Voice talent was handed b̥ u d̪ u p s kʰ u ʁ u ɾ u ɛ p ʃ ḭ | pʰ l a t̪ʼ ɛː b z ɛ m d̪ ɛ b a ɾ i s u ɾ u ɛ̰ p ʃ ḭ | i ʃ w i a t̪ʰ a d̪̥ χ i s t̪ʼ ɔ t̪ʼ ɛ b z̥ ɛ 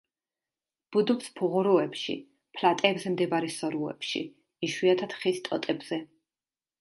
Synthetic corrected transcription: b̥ u d̪ u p s pʰ u ʁ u ɾ u ɛ p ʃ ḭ | pʰ l a t̪ʼ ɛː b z ɛ m d̪ ɛ b a ɾ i s ɔ ɾ u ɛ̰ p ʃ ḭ | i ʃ w i a t̪ʰ a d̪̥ χ i s t̪ʼ ɔ t̪ʼ ɛ b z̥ ɛ